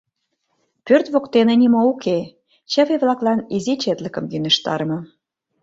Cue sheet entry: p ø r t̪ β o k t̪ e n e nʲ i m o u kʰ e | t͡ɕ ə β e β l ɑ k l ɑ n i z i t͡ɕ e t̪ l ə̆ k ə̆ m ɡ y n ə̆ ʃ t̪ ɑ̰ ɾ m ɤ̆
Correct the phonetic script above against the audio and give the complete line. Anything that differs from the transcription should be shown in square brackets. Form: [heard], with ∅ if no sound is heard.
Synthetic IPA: p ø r t̪ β o k t̪ e n e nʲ i m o u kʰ e | t͡ɕ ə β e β l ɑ k l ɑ n i z i t͡ɕ e t̪ l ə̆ k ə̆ m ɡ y n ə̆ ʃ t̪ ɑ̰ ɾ m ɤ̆